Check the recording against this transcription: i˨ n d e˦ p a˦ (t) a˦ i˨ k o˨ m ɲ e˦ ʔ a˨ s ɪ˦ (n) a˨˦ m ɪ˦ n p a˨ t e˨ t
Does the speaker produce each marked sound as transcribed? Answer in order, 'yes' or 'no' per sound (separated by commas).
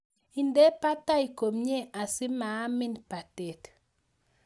yes, no